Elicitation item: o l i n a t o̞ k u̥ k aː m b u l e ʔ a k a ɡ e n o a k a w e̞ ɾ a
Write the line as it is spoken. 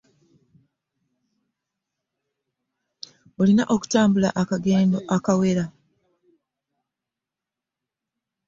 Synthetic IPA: o l i n a ʔ o̞ k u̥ t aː m b u l a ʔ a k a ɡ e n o a k a w e̞ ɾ a